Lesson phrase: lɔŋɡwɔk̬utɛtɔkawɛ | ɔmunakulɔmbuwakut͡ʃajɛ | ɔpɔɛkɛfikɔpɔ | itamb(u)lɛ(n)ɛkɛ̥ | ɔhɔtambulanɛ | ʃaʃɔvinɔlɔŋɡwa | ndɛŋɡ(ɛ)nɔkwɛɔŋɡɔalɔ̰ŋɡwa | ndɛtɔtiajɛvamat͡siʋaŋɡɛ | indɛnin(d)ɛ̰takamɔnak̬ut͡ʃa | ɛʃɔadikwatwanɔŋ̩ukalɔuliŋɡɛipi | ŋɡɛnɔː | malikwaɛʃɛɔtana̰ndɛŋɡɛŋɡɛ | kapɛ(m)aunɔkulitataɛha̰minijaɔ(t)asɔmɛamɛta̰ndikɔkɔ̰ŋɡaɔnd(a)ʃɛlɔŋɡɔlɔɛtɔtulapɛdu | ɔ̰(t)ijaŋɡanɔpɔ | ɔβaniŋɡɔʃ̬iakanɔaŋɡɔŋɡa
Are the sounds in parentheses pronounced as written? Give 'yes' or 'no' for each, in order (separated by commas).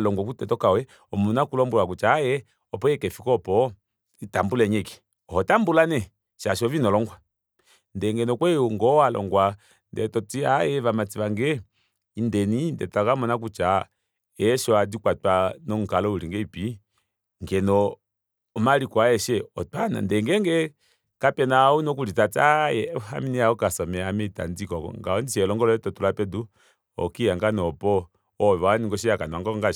yes, no, yes, yes, no, no, no, no